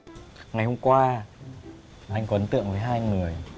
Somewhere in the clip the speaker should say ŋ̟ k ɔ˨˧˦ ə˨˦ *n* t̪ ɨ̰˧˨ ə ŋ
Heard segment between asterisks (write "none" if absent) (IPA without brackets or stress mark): n